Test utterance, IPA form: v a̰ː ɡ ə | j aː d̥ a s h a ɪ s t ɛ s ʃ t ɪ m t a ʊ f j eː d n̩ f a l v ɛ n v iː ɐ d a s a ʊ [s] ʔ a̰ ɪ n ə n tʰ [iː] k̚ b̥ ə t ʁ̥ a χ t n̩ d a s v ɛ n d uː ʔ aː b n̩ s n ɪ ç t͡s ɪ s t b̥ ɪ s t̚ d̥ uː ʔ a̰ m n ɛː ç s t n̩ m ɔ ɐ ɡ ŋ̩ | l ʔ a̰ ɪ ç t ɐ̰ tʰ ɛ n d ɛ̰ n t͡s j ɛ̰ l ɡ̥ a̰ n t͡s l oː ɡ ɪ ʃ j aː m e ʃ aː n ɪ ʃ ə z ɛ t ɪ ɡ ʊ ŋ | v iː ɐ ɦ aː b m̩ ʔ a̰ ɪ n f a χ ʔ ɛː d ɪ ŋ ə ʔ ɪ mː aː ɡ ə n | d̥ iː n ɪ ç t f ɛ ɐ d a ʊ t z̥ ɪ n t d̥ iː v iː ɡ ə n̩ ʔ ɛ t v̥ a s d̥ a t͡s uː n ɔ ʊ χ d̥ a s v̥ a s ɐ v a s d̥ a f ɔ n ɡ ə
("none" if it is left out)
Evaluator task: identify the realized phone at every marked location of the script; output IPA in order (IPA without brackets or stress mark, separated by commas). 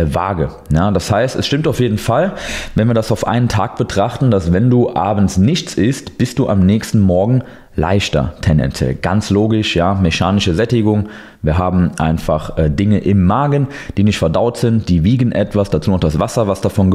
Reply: f, aː